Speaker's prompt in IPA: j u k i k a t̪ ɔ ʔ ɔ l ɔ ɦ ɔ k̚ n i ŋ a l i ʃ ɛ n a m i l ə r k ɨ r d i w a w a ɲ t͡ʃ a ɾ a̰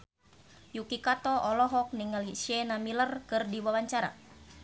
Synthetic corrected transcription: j u k i k a t̪ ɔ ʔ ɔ l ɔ ɦ ɔ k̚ n i ŋ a l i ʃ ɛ n a m i l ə r k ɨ r d i w a w a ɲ t͡ʃ a ɾ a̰